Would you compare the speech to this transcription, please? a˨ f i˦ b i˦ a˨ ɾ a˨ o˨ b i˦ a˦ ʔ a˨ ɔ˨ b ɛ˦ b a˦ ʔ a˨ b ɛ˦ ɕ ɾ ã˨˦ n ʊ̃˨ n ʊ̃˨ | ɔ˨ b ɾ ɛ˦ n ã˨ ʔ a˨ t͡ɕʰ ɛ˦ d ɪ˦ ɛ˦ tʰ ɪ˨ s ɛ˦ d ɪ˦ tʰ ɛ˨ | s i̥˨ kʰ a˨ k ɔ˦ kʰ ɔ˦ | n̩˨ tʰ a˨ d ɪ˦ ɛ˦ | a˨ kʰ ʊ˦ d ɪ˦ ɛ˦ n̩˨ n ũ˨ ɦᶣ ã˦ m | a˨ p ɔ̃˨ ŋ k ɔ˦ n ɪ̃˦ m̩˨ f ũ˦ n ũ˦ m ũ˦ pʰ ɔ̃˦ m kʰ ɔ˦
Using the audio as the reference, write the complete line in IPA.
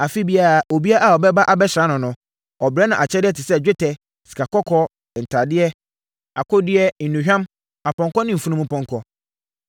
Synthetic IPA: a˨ f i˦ b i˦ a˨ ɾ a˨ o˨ b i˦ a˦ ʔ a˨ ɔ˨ b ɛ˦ b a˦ ʔ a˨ b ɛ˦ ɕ ɾ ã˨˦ n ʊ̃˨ n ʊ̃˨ | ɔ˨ b ɾ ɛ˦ n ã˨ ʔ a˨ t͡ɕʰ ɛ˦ d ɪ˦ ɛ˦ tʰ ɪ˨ s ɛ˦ d͡ʑᶣ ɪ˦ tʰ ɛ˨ | s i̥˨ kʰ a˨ k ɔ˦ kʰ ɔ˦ | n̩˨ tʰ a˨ d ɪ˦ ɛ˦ | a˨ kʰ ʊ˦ d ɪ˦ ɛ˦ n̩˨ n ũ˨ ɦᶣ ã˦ m | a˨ p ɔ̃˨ ŋ k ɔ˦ n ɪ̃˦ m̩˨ f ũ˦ n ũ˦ m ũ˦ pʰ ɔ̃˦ ŋ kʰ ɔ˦